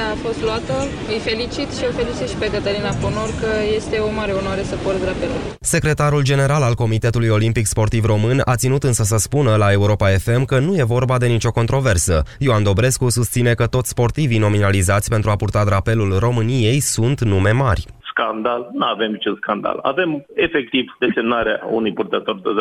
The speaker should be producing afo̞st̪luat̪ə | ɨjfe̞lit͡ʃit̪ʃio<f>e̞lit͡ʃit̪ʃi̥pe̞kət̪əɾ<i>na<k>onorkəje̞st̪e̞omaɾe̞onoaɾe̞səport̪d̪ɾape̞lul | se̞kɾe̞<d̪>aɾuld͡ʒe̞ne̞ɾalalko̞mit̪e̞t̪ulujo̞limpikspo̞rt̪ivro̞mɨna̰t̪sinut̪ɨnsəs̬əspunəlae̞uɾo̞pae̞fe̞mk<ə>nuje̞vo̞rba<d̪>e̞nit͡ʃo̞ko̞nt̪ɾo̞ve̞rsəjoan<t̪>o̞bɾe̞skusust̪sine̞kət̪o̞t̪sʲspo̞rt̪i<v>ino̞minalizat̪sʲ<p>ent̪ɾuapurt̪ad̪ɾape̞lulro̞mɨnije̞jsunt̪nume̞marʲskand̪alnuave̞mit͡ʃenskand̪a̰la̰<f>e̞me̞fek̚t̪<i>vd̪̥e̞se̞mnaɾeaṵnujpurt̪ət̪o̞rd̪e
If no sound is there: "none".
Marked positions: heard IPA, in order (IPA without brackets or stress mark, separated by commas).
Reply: f, i, p, t̪, ə, d̪, d̪, v, p, v, i